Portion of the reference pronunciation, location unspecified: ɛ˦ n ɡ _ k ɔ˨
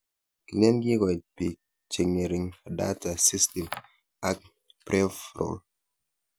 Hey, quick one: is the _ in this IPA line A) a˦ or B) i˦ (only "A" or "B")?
B